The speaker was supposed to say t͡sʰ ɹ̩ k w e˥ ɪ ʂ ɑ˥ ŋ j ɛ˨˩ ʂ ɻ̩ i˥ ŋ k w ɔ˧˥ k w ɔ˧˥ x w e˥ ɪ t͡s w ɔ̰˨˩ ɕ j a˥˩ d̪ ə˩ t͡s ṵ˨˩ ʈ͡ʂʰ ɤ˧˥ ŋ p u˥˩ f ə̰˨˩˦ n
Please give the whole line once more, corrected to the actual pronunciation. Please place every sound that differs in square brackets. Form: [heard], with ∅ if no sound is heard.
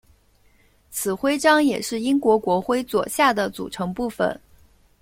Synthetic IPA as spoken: t͡sʰ ɹ̩ [x] w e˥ ɪ [ʈ͡ʂ] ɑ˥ ŋ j ɛ˨˩ ʂ ɻ̩ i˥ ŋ k w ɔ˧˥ k w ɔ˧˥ x w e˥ ɪ t͡s w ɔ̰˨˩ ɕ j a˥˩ d̪ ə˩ t͡s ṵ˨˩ ʈ͡ʂʰ ɤ˧˥ ŋ p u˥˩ f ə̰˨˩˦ n